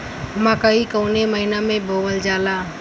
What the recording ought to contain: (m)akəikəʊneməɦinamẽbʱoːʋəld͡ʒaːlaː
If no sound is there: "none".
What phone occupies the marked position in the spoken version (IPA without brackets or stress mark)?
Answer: m